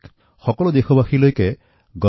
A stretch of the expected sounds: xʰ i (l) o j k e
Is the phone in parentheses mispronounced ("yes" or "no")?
no